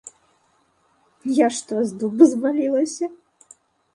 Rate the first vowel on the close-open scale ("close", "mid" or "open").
open